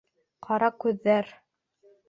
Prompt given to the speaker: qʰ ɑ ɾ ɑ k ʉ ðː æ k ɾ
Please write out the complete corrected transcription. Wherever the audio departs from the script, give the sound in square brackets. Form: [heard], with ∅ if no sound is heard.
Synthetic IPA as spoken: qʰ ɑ ɾ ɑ k ʉ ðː æ [∅] ɾ